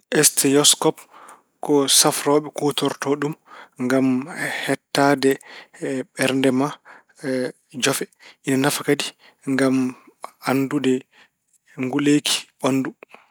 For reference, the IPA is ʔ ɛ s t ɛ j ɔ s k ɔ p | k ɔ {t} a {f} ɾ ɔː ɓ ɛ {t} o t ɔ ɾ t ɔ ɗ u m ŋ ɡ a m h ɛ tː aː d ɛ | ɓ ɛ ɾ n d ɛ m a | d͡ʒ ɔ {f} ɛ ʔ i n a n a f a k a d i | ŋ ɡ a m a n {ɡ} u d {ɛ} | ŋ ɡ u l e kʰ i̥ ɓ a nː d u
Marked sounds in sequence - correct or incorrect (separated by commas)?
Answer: incorrect, correct, incorrect, correct, incorrect, correct